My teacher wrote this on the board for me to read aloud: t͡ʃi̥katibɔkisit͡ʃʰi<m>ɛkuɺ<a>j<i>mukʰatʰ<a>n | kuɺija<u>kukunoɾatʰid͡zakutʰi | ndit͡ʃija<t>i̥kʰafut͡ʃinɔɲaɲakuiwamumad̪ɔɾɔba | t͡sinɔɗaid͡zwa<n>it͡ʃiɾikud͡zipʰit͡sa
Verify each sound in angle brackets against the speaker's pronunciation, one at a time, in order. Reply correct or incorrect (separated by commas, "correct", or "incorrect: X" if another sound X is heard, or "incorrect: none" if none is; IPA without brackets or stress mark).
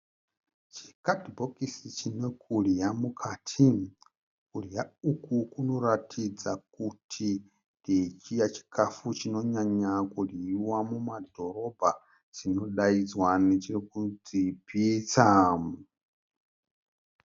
incorrect: n, incorrect: i, incorrect: a, incorrect: i, correct, incorrect: t͡ʃ, correct